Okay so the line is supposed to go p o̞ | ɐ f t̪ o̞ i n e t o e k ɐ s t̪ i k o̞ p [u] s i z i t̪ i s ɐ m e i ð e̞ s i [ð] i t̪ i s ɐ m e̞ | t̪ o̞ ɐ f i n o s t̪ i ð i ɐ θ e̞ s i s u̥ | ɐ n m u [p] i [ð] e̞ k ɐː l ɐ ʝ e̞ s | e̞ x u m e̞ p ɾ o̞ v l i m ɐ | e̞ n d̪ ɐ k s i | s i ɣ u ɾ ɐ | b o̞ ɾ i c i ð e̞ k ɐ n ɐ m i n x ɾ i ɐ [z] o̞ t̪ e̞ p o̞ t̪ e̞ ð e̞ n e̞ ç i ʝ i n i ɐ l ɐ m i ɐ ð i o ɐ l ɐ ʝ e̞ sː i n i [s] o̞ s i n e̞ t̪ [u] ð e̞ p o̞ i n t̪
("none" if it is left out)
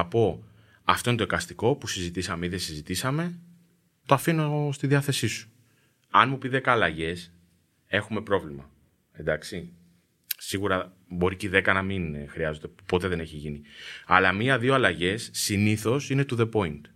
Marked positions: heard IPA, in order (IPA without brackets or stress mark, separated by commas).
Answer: u, z, p, ð, z, θ, u